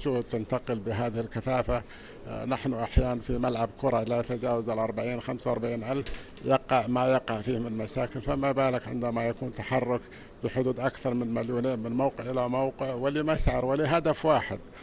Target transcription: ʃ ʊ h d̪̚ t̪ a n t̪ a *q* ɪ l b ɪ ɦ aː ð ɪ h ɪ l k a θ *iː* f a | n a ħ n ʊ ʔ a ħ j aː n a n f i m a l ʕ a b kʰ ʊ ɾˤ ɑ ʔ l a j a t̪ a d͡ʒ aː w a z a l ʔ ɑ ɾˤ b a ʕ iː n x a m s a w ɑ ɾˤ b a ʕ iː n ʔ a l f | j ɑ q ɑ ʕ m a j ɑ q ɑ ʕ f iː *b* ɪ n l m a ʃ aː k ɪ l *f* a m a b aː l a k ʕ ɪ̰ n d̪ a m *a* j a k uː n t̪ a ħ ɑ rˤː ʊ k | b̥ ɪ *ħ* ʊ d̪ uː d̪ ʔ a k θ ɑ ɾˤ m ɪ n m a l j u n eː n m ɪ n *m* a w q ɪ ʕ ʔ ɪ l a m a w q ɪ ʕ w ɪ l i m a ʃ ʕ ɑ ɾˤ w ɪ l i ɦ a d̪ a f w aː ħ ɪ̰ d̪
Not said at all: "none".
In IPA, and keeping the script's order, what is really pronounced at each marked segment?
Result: q, aː, m, f, a, ħ, m

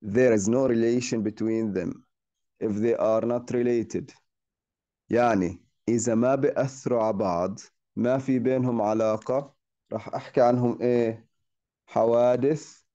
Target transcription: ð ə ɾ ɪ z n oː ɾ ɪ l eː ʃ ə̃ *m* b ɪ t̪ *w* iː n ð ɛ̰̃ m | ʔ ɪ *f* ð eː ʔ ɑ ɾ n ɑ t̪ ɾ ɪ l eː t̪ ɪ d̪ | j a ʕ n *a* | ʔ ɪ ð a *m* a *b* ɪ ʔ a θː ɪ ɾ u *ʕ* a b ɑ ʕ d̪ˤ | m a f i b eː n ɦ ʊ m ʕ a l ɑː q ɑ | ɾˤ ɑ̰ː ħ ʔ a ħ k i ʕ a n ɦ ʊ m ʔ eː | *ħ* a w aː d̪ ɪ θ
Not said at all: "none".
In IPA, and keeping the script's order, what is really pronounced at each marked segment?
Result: n, w, f, i, m, b, ʕ, ħ

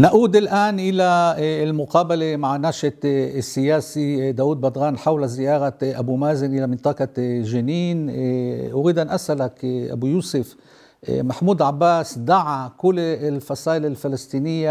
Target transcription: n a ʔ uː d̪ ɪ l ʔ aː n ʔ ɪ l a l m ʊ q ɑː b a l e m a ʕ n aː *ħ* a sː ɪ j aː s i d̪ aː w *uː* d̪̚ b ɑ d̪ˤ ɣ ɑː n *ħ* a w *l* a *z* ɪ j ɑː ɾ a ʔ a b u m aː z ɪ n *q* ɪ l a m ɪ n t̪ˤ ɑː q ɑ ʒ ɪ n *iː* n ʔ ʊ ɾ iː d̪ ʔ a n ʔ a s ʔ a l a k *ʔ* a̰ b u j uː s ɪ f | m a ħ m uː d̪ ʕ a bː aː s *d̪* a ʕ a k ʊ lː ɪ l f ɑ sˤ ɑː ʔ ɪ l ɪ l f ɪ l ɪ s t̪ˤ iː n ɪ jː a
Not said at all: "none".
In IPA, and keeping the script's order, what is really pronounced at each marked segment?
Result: ʃ, uː, ħ, l, z, ʔ, iː, ʔ, d̪

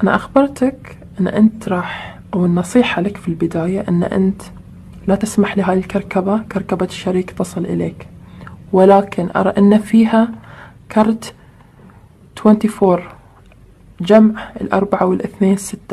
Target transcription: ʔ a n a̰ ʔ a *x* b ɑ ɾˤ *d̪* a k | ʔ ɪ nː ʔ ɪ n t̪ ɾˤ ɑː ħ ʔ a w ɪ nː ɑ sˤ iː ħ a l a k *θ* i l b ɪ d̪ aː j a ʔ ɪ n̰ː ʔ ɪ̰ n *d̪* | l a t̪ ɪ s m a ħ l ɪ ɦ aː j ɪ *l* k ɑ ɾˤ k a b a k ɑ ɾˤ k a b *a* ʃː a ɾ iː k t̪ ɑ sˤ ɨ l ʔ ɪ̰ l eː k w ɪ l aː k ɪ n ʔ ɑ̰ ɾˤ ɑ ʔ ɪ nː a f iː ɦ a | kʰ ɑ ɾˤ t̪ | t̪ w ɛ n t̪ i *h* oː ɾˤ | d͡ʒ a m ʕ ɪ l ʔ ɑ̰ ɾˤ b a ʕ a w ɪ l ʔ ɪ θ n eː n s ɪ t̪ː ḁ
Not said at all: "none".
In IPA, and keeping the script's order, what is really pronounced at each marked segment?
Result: x, t̪, f, t̪, l, a, f

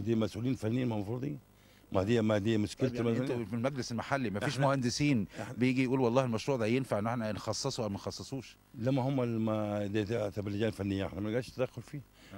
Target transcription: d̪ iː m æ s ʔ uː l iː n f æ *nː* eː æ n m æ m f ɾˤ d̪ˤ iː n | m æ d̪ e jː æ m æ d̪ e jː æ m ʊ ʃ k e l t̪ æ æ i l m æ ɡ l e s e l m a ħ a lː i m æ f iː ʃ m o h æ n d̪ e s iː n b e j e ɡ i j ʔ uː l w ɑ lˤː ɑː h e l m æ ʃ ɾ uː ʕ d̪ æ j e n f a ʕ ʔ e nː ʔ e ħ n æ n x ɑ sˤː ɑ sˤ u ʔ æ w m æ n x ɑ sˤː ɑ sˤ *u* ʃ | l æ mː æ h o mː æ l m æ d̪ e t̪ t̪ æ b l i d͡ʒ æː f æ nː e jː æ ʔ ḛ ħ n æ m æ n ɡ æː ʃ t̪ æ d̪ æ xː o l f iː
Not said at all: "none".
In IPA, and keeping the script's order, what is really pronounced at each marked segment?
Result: nː, uː

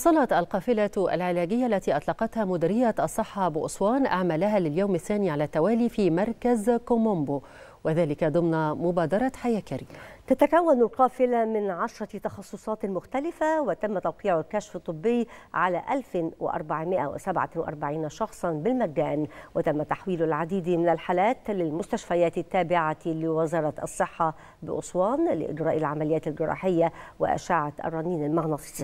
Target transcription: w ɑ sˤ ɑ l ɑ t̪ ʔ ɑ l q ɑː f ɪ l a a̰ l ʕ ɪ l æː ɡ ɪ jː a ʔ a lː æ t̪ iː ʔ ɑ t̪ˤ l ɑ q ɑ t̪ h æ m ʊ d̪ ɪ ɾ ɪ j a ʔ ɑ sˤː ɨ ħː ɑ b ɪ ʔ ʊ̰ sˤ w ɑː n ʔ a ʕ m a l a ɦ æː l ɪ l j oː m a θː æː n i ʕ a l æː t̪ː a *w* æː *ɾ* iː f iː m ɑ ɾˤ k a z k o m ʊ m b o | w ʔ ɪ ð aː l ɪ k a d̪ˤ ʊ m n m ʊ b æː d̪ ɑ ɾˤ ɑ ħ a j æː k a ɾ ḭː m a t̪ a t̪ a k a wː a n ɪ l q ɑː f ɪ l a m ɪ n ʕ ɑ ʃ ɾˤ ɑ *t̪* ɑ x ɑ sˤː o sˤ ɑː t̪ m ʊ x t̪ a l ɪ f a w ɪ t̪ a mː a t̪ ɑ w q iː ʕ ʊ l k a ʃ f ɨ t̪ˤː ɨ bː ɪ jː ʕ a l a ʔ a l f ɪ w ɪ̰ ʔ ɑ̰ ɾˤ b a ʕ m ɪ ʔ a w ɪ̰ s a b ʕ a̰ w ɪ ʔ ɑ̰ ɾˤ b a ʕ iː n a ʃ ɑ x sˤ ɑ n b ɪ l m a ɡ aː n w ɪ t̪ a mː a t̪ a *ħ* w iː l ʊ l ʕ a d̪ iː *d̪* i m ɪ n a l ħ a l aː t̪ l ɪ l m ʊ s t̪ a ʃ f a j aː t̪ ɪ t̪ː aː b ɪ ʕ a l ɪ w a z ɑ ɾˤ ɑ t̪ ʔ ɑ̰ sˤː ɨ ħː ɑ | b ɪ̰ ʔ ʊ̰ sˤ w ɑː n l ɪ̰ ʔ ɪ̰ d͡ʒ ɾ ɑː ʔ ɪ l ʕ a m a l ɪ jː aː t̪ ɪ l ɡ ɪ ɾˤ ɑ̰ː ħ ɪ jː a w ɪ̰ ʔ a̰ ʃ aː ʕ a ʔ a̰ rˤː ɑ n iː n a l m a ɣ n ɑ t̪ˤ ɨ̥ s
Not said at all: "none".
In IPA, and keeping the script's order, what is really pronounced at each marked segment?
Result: w, l, t̪, ħ, d̪

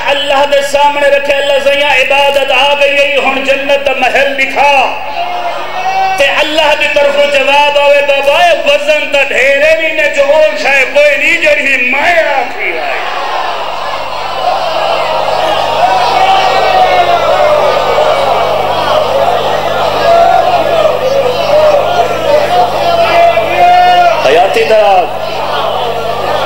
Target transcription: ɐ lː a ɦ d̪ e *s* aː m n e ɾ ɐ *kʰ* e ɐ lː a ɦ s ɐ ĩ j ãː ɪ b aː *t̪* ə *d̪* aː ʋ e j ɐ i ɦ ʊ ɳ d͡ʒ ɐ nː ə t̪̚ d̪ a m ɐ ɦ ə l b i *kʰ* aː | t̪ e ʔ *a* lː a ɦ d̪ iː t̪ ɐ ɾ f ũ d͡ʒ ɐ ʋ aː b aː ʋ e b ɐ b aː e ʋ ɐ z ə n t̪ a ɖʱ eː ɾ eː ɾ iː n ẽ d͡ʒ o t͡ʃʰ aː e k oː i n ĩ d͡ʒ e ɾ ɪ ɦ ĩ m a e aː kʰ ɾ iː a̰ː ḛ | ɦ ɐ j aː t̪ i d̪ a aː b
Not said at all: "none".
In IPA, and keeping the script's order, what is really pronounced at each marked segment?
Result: s, kʰ, d̪, t̪, kʰ, ɐ

